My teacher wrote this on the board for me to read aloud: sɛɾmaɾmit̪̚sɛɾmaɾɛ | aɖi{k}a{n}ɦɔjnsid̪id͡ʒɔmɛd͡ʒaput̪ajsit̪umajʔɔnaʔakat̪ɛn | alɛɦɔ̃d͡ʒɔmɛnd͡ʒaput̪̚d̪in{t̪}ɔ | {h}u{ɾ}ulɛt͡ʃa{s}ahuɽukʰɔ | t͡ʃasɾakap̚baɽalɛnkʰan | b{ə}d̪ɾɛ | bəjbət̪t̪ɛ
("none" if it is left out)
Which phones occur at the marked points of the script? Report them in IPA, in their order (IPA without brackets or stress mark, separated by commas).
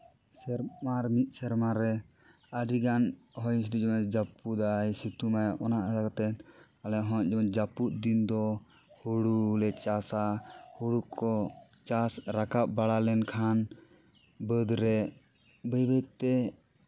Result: ɡ, n, d̪, h, ɽ, s, ə